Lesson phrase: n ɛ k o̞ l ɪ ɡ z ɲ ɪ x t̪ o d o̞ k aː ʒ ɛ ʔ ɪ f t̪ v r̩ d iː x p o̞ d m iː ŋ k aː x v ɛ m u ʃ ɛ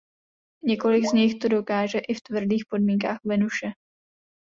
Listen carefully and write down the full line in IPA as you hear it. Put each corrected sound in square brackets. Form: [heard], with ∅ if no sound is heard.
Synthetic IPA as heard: [ɲ] ɛ k o̞ l ɪ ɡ z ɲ ɪ x t̪ o d o̞ k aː ʒ ɛ ʔ ɪ f t̪ v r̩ d iː x p o̞ d m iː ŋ k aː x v ɛ [n] u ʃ ɛ